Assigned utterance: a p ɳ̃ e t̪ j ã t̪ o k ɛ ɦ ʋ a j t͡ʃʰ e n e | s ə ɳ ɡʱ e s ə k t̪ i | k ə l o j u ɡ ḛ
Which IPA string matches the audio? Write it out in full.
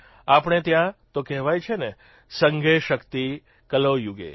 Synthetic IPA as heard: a p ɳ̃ e t̪ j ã t̪ o k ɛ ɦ ʋ a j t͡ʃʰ e n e | s ə ŋ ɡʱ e ʃ ə k t̪ i | k ə l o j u ɡ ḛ